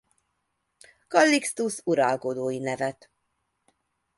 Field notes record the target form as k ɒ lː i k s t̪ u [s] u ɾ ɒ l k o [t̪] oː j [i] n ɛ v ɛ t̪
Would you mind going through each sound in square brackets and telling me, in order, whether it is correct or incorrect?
correct, incorrect, correct

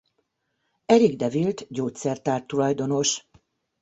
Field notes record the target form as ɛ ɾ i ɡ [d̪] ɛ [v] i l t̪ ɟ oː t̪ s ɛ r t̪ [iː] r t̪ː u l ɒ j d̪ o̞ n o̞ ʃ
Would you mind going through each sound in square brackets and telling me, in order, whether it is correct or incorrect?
correct, correct, incorrect

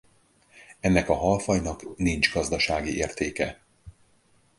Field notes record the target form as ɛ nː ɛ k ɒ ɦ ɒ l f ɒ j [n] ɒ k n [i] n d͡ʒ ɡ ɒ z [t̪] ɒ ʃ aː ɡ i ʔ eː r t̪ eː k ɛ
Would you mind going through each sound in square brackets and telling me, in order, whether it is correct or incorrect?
correct, correct, incorrect

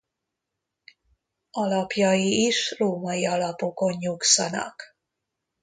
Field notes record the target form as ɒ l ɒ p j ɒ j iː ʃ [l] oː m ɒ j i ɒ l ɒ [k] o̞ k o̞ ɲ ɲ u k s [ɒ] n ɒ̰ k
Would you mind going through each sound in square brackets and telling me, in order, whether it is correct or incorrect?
incorrect, incorrect, correct

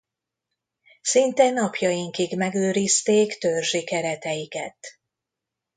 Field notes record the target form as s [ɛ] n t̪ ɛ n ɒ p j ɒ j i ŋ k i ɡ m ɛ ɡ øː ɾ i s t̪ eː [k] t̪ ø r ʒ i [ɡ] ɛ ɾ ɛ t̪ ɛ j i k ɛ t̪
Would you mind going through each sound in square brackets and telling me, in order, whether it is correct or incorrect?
incorrect, correct, incorrect

